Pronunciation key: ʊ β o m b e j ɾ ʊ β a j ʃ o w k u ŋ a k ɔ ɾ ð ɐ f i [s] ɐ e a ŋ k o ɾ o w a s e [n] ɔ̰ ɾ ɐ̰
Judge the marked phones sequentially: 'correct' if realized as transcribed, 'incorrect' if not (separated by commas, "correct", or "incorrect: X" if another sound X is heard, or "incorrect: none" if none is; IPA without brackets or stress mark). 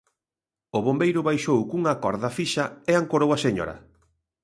incorrect: ʃ, incorrect: ɲ